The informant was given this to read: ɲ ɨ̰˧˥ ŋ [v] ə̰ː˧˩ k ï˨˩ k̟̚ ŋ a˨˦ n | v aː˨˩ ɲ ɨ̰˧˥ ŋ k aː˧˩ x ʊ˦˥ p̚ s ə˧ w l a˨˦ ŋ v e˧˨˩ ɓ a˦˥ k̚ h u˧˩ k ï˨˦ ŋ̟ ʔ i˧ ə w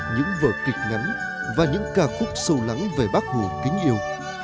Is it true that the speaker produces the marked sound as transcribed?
yes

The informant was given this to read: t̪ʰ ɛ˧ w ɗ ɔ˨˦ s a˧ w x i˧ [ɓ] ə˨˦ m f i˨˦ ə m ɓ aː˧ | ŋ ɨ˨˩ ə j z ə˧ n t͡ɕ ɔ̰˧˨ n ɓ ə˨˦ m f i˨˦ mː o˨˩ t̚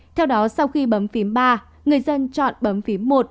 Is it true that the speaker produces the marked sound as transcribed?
yes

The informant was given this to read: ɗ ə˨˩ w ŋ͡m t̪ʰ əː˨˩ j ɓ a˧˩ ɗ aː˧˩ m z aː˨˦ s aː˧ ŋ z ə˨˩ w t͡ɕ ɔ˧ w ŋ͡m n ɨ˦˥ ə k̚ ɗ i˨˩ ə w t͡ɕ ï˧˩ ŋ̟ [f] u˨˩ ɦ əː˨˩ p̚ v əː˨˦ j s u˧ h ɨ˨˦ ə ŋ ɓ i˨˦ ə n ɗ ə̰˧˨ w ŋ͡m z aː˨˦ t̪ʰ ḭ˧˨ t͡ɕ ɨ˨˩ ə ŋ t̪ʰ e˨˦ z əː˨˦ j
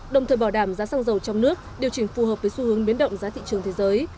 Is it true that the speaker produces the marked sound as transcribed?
yes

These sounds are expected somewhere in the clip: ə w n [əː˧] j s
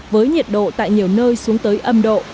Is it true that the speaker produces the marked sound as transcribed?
yes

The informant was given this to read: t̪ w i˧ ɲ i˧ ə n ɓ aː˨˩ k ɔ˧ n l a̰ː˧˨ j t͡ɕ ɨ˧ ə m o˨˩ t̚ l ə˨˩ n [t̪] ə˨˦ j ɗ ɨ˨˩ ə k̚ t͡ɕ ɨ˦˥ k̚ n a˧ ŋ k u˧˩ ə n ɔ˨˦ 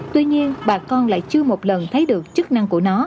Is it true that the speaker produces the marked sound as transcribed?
no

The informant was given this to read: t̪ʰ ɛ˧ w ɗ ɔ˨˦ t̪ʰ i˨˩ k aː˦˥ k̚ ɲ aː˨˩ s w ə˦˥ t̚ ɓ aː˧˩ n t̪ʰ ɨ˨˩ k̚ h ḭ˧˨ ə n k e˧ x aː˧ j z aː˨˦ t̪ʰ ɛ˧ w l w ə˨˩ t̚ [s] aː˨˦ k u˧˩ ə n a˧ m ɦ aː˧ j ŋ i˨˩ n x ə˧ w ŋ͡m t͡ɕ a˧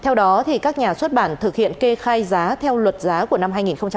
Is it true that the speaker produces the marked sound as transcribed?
no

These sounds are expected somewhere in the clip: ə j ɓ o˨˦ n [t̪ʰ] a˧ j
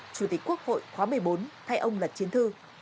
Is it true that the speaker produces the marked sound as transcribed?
yes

